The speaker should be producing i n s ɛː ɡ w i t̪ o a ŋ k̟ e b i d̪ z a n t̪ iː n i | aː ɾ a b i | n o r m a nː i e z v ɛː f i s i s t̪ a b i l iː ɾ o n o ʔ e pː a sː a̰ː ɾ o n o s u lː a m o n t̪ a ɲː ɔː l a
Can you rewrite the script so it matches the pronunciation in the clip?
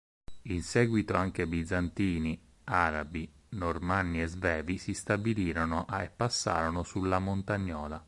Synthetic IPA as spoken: i n s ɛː ɡ w i t̪ o a ŋ k̟ e b i d̪ z a n t̪ iː n i | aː ɾ a b i | n o r m a nː i e z v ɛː v i s i s t̪ a b i l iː ɾ o n o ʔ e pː a sː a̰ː ɾ o n o s u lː a m o n t̪ a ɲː ɔː l a